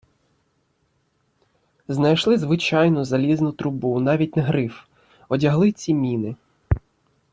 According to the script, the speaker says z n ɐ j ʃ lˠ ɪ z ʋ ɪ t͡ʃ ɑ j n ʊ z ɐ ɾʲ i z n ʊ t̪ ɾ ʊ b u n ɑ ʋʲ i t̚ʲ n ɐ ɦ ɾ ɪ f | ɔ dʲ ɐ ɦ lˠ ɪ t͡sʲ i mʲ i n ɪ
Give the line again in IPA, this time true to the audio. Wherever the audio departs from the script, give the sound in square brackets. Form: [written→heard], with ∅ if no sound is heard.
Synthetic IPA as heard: z n ɐ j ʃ lˠ ɪ z ʋ ɪ t͡ʃ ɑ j n ʊ z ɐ [ɾʲ→lʲ] i z n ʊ t̪ ɾ ʊ b u n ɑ ʋʲ i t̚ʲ n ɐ ɦ ɾ ɪ f | ɔ dʲ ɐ ɦ lˠ ɪ t͡sʲ i mʲ i n ɪ

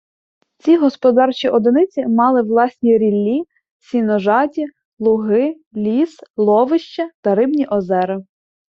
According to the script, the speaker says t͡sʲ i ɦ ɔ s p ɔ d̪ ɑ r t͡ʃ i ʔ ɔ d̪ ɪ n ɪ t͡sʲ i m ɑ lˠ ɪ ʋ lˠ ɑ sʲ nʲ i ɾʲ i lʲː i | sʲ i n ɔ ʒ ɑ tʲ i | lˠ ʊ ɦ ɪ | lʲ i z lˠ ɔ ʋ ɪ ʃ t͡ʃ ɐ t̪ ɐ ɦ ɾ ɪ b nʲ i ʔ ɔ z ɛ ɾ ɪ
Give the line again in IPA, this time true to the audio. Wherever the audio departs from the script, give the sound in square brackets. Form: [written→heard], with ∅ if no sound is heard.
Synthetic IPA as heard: t͡sʲ i ɦ ɔ s p ɔ d̪ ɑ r t͡ʃ i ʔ ɔ d̪ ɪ n ɪ t͡sʲ i m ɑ lˠ ɪ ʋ lˠ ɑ sʲ nʲ i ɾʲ i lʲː i | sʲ i n ɔ ʒ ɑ tʲ i | lˠ ʊ ɦ ɪ | lʲ i [z→s] lˠ ɔ ʋ ɪ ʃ t͡ʃ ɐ t̪ ɐ [ɦ→∅] ɾ ɪ b nʲ i ʔ ɔ z ɛ ɾ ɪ

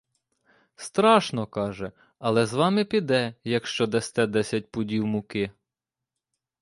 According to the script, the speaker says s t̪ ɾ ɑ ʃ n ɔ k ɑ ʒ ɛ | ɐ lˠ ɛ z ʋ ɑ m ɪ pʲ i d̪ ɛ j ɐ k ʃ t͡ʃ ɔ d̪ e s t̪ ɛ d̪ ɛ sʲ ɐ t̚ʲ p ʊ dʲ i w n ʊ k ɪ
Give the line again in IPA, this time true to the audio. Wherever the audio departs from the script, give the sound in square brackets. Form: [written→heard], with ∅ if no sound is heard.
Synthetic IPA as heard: s t̪ ɾ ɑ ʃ n ɔ k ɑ ʒ ɛ | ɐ lˠ ɛ z ʋ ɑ m ɪ pʲ i d̪ ɛ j ɐ k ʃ t͡ʃ ɔ d̪ [e→ɛ] s t̪ ɛ d̪ ɛ sʲ ɐ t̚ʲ p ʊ dʲ i w [n→m] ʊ k ɪ

